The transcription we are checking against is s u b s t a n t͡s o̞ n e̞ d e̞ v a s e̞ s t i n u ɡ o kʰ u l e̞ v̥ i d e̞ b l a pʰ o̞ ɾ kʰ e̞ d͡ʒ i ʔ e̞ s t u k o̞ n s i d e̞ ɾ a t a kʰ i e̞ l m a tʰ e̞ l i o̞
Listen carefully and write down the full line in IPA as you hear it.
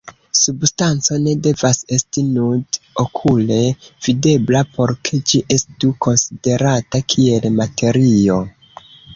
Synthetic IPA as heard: s u b s t a n t͡s o̞ n e̞ d e̞ v a s e̞ s t i n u d o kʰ u l e̞ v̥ i d e̞ b l a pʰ o̞ ɾ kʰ e̞ d͡ʒ i ʔ e̞ s t u k o̞ n s i d e̞ ɾ a t a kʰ i e̞ l m a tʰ e̞ ɾ i o̞